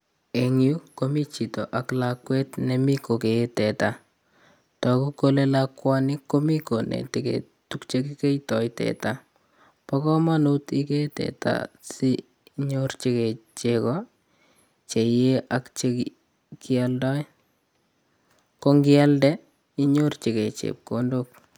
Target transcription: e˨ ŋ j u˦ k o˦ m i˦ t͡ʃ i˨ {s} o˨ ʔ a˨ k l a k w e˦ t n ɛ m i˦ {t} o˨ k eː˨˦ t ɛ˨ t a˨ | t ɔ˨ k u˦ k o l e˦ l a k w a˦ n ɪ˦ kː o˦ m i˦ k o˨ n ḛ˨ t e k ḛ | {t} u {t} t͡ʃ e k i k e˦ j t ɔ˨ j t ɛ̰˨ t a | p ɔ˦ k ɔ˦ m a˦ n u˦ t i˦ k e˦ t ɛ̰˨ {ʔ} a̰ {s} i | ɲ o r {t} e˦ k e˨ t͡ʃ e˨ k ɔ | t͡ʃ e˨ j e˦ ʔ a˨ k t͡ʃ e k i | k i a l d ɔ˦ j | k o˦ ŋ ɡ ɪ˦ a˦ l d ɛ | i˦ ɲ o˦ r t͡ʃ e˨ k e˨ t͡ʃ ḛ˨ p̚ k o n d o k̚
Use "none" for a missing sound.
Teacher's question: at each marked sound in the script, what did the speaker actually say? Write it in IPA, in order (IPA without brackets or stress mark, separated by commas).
t, k, t, k, t, s, t͡ʃ